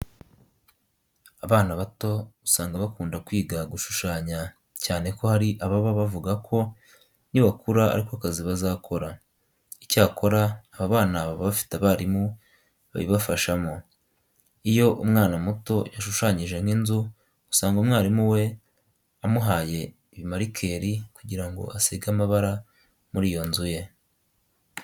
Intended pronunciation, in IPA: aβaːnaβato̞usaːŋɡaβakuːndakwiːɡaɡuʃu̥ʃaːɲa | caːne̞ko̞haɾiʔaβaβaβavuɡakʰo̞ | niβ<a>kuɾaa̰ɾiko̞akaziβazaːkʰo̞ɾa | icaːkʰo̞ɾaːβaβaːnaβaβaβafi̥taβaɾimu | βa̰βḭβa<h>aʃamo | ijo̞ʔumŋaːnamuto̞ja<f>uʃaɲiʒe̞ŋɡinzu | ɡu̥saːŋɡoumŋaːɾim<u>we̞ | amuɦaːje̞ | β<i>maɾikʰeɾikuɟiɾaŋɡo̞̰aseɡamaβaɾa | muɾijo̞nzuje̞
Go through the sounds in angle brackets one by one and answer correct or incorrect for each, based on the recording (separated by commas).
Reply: correct, incorrect, incorrect, correct, correct